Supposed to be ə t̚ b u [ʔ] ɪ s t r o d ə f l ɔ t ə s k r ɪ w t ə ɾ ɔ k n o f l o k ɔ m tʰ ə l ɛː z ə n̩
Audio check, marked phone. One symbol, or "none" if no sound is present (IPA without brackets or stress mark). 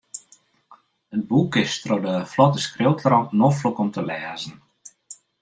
k